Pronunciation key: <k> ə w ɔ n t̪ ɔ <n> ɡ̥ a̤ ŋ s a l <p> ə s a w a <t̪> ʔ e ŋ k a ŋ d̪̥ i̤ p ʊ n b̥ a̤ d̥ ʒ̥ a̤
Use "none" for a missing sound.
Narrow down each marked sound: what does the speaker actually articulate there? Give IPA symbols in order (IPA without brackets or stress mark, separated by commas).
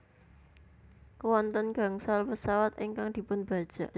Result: k, n, p, t̪